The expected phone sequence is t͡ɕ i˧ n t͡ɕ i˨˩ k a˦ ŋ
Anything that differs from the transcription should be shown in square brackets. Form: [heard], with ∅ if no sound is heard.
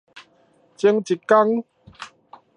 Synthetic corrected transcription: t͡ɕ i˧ [ŋ] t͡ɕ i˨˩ k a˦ ŋ